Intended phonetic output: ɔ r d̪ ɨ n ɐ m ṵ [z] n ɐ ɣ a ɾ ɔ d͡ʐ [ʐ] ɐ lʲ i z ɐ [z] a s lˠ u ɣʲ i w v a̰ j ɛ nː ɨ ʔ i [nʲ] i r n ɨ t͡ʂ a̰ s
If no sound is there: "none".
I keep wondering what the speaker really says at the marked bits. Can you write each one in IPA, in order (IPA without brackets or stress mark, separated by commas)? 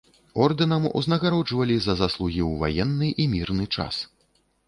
z, v, z, mʲ